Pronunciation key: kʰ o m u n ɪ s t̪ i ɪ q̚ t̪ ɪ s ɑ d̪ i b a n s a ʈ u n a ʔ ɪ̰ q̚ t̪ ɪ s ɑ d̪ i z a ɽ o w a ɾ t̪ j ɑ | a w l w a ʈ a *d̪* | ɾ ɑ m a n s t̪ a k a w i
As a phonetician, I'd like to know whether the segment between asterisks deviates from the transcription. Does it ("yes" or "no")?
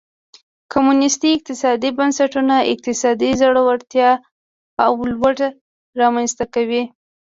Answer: yes